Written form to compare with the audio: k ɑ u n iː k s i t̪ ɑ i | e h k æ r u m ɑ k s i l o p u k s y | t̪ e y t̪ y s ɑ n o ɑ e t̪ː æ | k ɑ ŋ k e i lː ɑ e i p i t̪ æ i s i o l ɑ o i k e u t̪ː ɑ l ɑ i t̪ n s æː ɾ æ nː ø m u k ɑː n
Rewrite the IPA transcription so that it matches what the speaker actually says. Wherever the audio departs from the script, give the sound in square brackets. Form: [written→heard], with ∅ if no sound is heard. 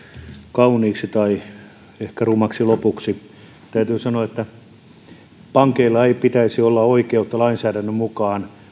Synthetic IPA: k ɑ u n iː k s i t̪ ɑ i | e h k æ r u m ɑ k s i l o p u k s [y→i] | t̪ [e→æ] y t̪ [y→yː] s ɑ n o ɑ e t̪ː æ | [k→p] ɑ ŋ k e i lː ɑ e i p i t̪ æ i s i o [l→lː] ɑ o i k e u t̪ː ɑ l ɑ i [t̪→∅] n s æː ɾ æ nː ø m u k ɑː n